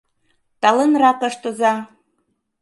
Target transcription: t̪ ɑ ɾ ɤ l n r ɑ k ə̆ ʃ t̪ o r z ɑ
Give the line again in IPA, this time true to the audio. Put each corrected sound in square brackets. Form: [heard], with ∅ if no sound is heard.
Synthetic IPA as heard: t̪ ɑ [l] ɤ [∅] n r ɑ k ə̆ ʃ t̪ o [∅] z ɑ

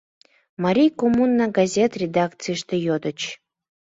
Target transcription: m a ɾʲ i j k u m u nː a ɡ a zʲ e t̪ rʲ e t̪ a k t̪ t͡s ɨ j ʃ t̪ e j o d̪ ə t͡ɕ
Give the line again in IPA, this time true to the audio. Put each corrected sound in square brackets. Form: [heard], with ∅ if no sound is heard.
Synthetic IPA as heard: m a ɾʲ i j k [o] m u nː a ɡ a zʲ e t̪ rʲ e [d̪] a k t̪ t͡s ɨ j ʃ t̪ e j o d̪ ə t͡ɕ

